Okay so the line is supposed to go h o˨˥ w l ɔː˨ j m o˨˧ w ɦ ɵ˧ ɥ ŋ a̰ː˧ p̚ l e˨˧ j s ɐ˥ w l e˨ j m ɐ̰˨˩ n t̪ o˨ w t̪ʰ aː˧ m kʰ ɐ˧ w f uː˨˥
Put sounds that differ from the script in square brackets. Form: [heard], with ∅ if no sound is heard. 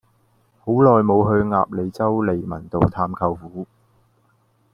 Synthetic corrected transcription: h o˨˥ w l ɔː˨ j m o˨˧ w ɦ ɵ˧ ɥ ŋ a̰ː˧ p̚ l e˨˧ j [t͡s] ɐ˥ w l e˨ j m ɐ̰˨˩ n t̪ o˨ w t̪ʰ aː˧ m kʰ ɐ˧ w f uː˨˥